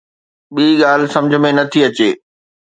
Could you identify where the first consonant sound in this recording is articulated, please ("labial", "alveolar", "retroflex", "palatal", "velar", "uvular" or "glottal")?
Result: labial